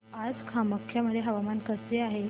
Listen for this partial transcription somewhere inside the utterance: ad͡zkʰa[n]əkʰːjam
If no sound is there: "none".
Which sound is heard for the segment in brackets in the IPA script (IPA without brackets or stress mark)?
m